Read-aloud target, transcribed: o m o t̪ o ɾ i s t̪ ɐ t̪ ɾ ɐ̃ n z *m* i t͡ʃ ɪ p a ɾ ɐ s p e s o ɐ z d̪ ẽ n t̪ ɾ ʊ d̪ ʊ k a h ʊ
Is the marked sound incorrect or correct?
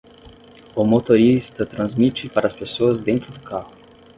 correct